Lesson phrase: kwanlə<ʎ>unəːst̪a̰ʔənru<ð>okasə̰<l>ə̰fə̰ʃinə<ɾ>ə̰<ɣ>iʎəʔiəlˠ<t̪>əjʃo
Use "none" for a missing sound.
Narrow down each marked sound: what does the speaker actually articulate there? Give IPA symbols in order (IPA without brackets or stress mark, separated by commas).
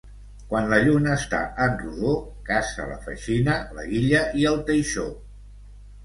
ʎ, ð, l, l, ɣ, t̪